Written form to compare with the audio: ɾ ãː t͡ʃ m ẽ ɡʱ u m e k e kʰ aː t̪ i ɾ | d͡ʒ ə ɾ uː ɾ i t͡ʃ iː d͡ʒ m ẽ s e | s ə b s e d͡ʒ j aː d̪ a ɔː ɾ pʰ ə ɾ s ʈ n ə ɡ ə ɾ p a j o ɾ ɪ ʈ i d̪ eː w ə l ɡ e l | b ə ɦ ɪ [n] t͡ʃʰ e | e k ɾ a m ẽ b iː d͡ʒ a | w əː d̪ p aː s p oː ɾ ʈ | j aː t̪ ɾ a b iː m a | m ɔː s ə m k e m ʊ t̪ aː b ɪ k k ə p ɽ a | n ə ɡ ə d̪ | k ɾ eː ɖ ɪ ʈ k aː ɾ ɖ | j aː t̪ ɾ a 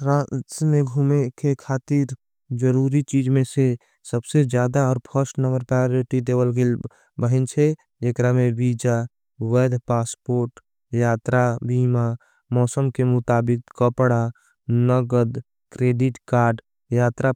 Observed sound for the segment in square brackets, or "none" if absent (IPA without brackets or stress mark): n